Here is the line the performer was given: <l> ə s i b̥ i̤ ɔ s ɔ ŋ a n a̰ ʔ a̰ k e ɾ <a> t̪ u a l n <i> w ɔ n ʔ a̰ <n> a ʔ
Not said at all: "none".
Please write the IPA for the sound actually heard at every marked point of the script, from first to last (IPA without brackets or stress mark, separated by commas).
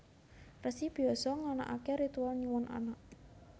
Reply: r, i, i, n